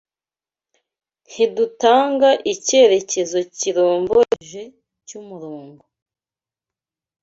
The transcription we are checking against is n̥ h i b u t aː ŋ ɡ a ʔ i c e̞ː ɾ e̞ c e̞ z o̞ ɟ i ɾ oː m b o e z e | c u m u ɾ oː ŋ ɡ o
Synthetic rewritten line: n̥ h i d u t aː ŋ ɡ a ʔ i c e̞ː ɾ e̞ c e̞ z o̞ c i ɾ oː m b o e ʒ e | c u m u ɾ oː ŋ ɡ o